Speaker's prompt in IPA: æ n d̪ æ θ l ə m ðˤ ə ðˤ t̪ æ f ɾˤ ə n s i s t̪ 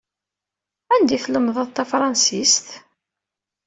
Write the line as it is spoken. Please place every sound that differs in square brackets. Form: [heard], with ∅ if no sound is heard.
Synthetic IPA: æ n d̪ [i] θ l ə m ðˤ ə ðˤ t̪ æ f ɾˤ [ɑ] n s i s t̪